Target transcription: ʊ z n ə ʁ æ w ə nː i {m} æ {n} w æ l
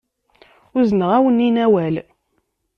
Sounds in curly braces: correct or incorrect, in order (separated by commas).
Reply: incorrect, incorrect